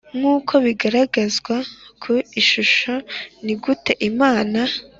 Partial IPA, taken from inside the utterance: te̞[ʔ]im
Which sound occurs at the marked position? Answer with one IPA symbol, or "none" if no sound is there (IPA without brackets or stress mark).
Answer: ʔ